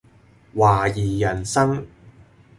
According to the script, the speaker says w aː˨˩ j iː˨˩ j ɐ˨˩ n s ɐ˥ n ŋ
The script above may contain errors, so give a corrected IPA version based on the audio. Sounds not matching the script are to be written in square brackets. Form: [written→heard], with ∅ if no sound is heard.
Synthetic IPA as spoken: w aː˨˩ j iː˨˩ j ɐ˨˩ n s ɐ˥ [n→∅] ŋ